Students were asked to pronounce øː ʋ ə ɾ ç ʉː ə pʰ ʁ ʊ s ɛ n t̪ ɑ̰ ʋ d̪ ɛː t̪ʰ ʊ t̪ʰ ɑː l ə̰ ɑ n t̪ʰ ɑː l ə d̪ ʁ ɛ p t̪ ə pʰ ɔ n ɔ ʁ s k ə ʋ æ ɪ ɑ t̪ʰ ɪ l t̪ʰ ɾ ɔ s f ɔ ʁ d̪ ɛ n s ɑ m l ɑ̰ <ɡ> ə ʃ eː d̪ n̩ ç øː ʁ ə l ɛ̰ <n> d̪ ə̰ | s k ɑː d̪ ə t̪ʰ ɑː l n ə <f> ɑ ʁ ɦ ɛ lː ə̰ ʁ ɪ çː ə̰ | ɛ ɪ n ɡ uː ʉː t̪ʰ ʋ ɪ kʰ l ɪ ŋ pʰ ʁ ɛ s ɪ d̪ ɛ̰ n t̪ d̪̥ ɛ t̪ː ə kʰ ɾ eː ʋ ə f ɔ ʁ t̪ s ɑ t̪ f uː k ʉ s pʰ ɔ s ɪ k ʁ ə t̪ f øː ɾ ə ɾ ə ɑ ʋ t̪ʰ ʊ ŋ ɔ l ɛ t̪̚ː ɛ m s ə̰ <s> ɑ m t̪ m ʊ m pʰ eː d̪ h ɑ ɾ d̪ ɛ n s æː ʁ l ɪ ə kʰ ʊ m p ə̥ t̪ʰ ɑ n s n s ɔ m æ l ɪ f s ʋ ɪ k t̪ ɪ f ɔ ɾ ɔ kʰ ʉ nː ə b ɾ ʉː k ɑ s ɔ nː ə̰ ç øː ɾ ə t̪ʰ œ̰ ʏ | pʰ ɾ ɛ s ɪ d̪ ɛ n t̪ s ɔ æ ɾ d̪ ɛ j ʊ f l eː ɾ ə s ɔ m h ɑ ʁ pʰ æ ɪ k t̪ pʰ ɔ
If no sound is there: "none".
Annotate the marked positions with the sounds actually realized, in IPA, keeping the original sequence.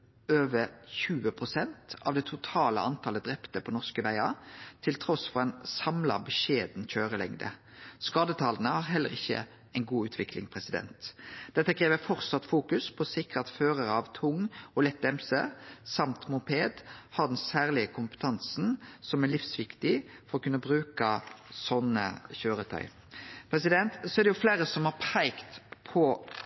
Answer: b, ŋ, h, s

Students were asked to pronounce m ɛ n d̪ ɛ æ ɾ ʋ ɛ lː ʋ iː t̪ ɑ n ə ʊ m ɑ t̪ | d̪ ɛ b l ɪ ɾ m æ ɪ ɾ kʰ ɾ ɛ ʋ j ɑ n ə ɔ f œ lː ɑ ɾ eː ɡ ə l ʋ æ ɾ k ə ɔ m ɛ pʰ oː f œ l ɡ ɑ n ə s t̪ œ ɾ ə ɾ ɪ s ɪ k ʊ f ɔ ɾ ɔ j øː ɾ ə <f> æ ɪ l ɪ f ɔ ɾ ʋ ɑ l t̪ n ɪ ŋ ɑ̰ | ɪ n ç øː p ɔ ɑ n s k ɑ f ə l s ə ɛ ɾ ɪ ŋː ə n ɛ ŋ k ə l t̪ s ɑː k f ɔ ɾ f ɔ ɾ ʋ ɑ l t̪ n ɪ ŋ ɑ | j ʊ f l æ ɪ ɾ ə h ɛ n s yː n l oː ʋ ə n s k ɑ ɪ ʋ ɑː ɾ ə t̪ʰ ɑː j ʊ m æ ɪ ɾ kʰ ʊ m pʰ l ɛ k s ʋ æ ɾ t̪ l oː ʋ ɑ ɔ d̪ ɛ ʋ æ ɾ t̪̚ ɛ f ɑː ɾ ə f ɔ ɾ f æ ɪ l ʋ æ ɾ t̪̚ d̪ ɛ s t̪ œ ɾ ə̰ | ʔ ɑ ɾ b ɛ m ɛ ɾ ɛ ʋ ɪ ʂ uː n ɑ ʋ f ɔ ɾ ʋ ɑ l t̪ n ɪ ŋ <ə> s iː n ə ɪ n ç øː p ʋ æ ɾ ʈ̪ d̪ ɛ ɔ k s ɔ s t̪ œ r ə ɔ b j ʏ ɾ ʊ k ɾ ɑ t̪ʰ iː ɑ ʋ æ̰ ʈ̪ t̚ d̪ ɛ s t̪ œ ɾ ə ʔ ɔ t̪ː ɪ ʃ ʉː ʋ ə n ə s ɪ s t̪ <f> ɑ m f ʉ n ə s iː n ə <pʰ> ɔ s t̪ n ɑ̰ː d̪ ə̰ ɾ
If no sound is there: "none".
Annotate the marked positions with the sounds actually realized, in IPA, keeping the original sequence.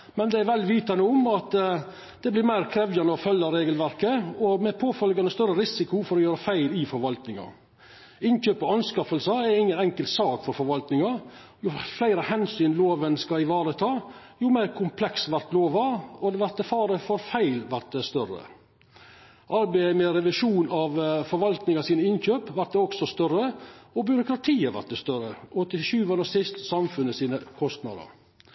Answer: f, ɑ, s, kʰ

